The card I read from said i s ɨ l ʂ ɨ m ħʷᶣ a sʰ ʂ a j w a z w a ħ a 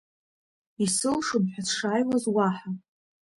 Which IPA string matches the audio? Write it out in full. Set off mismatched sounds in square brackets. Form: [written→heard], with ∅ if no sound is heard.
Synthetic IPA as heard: i s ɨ l ʂ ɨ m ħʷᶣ a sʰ ʂ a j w a z w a ħ a